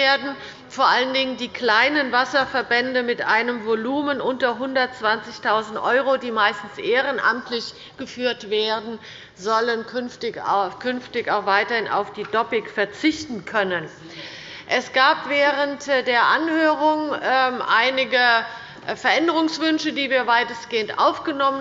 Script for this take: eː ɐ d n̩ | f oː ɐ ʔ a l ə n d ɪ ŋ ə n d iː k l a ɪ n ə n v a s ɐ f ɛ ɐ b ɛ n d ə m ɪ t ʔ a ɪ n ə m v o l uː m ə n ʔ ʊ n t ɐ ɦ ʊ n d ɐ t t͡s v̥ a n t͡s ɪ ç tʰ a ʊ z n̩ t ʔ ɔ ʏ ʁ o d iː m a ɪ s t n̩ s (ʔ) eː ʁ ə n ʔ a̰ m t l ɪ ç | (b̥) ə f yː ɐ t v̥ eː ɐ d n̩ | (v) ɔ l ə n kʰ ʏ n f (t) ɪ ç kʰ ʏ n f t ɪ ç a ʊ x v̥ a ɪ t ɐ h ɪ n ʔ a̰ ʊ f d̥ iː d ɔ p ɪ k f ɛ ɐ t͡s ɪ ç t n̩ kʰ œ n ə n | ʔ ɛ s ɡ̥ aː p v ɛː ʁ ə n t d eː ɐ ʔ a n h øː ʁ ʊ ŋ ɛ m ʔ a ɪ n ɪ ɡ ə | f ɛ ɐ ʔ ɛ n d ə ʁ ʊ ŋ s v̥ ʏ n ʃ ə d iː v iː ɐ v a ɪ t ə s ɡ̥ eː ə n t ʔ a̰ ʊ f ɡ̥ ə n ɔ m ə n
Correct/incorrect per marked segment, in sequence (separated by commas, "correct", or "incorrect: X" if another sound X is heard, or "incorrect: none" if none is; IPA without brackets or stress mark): correct, incorrect: ɡ̥, incorrect: z, correct